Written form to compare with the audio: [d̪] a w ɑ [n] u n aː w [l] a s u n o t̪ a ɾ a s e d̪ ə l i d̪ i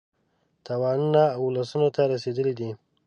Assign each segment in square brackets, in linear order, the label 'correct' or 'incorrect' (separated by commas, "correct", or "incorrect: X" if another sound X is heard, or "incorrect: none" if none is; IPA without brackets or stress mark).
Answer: incorrect: t̪, correct, correct